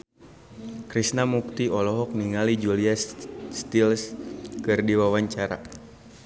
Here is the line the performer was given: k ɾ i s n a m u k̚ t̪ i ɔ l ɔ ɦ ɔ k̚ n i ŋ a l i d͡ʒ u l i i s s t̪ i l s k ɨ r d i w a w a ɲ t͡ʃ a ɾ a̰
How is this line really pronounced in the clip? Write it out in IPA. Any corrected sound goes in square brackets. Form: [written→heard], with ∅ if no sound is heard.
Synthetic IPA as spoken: k ɾ i s n a m u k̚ t̪ i ɔ l ɔ ɦ ɔ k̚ n i ŋ a l i d͡ʒ u l i [i→a] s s t̪ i l s k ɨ r d i w a w a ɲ t͡ʃ a ɾ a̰